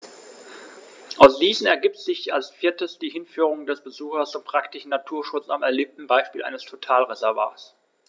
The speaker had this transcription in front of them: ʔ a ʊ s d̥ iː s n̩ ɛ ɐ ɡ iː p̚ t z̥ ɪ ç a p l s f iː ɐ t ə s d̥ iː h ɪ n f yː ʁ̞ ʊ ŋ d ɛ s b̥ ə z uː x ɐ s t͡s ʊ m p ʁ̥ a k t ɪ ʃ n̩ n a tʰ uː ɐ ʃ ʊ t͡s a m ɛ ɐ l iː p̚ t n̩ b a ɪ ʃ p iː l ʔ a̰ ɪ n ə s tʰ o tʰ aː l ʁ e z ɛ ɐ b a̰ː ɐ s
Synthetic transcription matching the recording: ʔ a ʊ s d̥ iː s n̩ ɛ ɐ ɡ iː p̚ t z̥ ɪ ç a l s f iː ɐ t ə s d̥ iː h ɪ n f yː ʁ̞ ʊ ŋ d ɛ s b̥ ə z uː x ɐ s t͡s ʊ m p ʁ̥ a k t ɪ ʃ n̩ n a tʰ uː ɐ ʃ ʊ t͡s a m ɛ ɐ l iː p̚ t n̩ b a ɪ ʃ p iː l ʔ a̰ ɪ n ə s tʰ o tʰ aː l ʁ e z ɛ ɐ v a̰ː ɐ s